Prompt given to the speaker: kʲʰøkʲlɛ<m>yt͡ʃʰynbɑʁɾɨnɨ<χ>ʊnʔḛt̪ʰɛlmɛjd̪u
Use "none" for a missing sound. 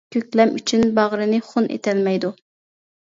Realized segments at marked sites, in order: m, χ

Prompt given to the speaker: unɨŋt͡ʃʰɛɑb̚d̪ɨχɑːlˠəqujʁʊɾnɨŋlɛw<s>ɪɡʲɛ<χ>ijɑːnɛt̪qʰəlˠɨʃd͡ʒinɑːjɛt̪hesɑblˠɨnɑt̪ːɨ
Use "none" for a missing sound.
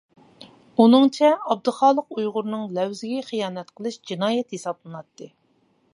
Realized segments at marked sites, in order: z, χ

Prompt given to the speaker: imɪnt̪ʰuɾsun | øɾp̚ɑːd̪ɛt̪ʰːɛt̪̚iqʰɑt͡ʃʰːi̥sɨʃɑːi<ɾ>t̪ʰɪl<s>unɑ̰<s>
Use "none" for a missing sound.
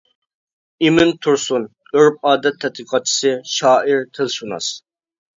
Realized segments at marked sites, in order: ɾ, ʃ, s

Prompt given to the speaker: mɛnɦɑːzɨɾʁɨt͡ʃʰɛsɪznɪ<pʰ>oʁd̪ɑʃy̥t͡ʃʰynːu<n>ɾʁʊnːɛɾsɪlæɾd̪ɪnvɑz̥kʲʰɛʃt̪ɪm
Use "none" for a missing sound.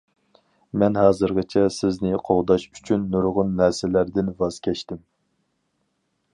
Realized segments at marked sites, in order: qʰ, none

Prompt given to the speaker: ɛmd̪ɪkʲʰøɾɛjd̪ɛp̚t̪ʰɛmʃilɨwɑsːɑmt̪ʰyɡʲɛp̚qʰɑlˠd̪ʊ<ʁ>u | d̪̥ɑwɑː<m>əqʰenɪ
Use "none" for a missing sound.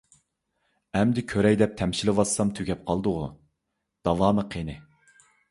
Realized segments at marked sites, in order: ʁ, m

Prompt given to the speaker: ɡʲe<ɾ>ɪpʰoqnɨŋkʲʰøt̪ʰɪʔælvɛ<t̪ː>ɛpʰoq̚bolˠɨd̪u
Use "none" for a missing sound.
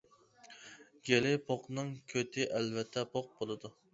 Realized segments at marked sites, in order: l, t̪ʰː

